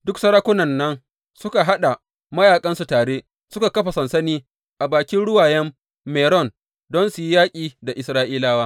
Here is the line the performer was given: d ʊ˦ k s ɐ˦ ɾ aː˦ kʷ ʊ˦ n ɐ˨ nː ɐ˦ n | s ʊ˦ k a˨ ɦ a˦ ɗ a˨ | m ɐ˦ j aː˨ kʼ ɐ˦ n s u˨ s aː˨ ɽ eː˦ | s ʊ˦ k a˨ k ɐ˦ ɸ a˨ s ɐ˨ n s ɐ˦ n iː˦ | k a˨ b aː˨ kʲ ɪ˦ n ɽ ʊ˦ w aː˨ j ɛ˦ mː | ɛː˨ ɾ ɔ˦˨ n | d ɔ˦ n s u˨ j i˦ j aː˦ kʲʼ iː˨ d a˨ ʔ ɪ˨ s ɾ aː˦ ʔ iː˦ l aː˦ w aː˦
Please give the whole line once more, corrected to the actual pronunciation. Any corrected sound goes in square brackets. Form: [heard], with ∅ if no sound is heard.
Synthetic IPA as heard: d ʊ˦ k s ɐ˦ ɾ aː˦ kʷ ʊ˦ n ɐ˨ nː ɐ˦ n | s ʊ˦ k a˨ ɦ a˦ ɗ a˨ | m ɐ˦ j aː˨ kʼ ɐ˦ n s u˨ [t] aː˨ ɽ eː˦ | s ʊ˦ k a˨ k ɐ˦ ɸ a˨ s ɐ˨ n s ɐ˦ n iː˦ | [ʔ] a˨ b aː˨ kʲ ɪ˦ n ɽ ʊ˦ w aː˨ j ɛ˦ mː | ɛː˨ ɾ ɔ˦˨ n | d ɔ˦ n s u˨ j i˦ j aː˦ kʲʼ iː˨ d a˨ ʔ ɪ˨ s ɾ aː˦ ʔ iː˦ l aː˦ w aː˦